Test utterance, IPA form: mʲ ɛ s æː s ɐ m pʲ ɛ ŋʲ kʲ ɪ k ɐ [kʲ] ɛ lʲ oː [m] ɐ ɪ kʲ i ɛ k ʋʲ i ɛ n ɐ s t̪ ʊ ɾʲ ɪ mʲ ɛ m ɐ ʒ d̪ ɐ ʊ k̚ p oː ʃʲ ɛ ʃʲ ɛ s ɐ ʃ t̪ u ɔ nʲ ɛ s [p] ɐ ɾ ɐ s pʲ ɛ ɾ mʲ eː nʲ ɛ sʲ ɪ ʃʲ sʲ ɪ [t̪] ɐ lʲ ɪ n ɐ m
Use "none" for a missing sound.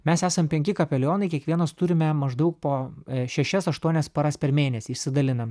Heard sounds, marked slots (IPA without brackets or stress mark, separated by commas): pʲ, n, p, d̪